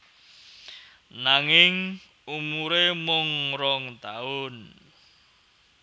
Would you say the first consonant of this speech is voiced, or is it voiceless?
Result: voiced